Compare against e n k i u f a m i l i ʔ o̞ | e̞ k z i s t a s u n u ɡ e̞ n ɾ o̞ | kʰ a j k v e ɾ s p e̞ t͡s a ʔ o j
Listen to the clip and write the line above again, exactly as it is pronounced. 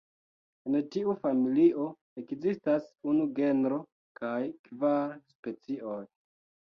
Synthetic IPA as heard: e n t i u f a m i l i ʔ o̞ | e̞ k z i s t a s u n u ɡ e̞ n ɾ o̞ | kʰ a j k v a ɾ s p e̞ t͡s i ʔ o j

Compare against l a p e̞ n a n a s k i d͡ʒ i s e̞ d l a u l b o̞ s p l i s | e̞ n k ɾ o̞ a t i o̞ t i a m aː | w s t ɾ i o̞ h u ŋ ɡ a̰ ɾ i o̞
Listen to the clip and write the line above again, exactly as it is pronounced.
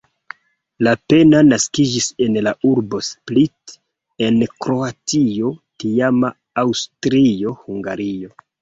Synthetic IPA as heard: l a p e̞ n a n a s k i d͡ʒ i s e̞ n l a u ɾ b o̞ s p l i t | e̞ n k ɾ o̞ a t i o̞ t i a m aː | w s t ɾ i o̞ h u ŋ ɡ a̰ ɾ i o̞

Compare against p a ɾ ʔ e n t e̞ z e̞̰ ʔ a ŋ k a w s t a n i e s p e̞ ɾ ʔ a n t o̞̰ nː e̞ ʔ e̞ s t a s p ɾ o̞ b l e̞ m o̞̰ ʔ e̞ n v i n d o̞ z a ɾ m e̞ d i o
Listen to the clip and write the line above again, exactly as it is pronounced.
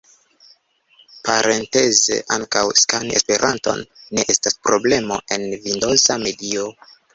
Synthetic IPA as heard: p a ɾ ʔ e n t e̞ z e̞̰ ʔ a ŋ k a w s k a n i e s p e̞ ɾ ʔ a n t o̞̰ nː e̞ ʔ e̞ s t a s p ɾ o̞ b l e̞ m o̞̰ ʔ e̞ n v i n d o̞ z a m e̞ d i o

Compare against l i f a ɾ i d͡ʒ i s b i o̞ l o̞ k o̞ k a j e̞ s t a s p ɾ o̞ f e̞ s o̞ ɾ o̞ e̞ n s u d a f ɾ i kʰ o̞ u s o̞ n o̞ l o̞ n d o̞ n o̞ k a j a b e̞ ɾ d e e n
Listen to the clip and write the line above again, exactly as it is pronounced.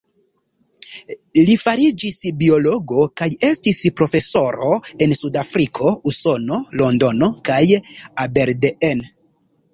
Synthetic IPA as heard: l i f a ɾ i d͡ʒ i s b i o̞ l o̞ ɡ o̞ k a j e̞ s t i s p ɾ o̞ f e̞ s o̞ ɾ o̞ e̞ n s u d a f ɾ i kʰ o̞ u s o̞ n o̞ l o̞ n d o̞ n o̞ k a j a b e̞ ɾ d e e n

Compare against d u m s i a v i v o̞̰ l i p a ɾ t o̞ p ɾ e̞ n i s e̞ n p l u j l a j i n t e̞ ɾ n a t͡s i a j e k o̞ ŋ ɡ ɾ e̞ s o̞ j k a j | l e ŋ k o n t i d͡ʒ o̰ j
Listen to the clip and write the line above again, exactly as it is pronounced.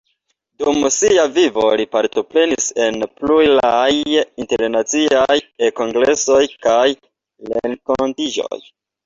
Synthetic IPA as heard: d u m s i a v i v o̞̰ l i p a ɾ t o̞ p ɾ e̞ n i s e̞ n p l u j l a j i n t e̞ ɾ n a t͡s i a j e k o̞ ŋ ɡ ɾ e̞ s o̞ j k a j | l e ŋ k o n t i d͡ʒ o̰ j

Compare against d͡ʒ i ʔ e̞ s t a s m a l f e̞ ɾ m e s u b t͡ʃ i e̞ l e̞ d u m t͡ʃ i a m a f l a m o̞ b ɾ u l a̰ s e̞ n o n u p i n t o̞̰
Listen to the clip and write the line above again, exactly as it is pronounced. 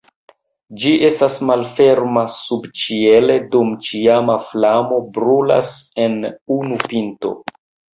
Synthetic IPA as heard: d͡ʒ i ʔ e̞ s t a s m a l f e̞ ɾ m a s u b t͡ʃ i e̞ l e̞ d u m t͡ʃ i a m a f l a m o̞ b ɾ u l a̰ s e̞ n u n u p i n t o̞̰

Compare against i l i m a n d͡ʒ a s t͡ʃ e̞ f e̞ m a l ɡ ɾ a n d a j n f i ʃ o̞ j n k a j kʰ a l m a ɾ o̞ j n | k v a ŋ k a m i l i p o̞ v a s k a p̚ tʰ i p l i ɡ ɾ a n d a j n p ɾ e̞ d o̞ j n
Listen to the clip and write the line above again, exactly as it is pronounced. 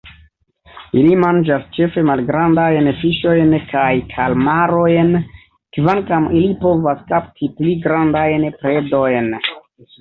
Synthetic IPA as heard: i l i m a n d͡ʒ a s t͡ʃ e̞ f e̞ m a l ɡ ɾ a n d a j n f i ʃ o̞ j n k a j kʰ a l m a ɾ o̞ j n | k v a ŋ k a m i l i p o̞ v a s k a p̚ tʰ i p l i ɡ ɾ a n d a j n p ɾ e̞ d o̞ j n

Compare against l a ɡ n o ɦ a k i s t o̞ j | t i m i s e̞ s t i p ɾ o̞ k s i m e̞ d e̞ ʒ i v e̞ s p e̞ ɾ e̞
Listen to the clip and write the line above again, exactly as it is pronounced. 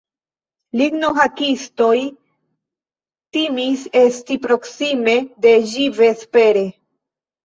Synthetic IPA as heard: l i ɡ n o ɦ a k i s t o̞ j | t i m i s e̞ s t i p ɾ o̞ k s i m e̞ d e̞ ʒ i v e̞ s p e̞ ɾ e̞

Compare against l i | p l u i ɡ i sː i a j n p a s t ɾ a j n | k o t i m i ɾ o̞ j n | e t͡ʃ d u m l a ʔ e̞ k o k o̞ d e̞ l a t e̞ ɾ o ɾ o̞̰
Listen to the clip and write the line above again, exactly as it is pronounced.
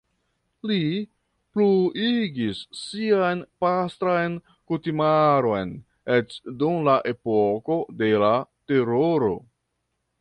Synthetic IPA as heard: l i | p l u i ɡ i sː i a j n p a s t ɾ a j n | k u t i m a ɾ o̞ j n | e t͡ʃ d u m l a ʔ e̞ p o k o̞ d e̞ l a t e̞ ɾ o ɾ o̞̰

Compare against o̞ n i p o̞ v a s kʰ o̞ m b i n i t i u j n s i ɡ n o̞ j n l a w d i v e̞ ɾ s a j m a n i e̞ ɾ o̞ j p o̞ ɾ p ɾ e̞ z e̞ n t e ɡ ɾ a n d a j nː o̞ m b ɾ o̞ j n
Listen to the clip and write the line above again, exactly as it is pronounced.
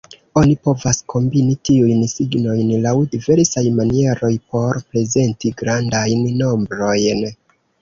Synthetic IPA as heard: o̞ n i p o̞ v a s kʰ o̞ m b i n i t i u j n s i ɡ n o̞ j n l a w d i v e̞ ɾ s a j m a n i e̞ ɾ o̞ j p o̞ ɾ p ɾ e̞ z e̞ n t i ɡ ɾ a n d a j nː o̞ m b ɾ o̞ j n

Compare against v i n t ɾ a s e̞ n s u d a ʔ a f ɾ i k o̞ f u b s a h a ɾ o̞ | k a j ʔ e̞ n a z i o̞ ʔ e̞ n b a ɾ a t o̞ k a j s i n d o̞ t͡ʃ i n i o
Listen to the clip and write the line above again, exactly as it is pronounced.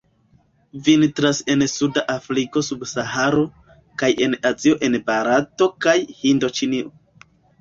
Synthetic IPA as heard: v i n t ɾ a s e̞ n s u d a ʔ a f ɾ i k o̞ s u b s a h a ɾ o̞ | k a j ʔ e̞ n a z i o̞ ʔ e̞ n b a ɾ a t o̞ k a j h i n d o̞ t͡ʃ i n i o

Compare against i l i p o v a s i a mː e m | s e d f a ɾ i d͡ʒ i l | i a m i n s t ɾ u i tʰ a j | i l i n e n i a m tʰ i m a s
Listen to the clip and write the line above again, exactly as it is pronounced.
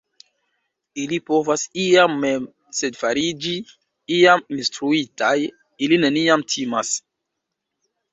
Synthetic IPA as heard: i l i p o v a s i a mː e m | s e d f a ɾ i d͡ʒ i | i a m i n s t ɾ u i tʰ a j | i l i n e n i a m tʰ i m a s

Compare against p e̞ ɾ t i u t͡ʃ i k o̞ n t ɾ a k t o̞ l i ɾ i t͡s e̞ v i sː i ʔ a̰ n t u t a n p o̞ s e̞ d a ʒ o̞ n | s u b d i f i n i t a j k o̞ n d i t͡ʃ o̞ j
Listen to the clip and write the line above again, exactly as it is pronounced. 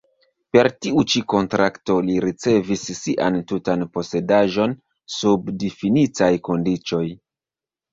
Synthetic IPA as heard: p e̞ ɾ t i u t͡ʃ i k o̞ n t ɾ a k t o̞ l i ɾ i t͡s e̞ v i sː i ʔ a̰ n t u t a n p o̞ s e̞ d a ʒ o̞ n | s u b d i f i n i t a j k o̞ n d i t͡ʃ o̞ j

